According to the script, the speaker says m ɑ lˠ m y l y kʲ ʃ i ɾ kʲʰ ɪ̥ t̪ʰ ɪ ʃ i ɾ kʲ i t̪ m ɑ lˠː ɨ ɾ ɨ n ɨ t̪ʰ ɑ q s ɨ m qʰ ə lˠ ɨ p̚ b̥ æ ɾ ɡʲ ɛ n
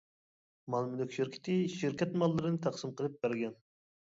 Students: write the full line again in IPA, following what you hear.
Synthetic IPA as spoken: m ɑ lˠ m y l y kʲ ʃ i ɾ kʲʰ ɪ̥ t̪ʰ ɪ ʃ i ɾ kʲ ɛ t̪ m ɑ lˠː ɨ ɾ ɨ n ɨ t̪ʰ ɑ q s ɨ m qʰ ə lˠ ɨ p̚ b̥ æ ɾ ɡʲ ɛ n